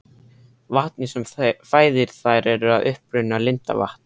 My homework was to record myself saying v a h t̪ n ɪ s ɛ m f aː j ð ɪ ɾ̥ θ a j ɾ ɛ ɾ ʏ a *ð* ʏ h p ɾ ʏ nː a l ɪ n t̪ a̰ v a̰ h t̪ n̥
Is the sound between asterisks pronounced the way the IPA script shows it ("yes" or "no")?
yes